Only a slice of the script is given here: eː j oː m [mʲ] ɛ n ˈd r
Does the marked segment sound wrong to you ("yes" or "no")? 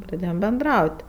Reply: yes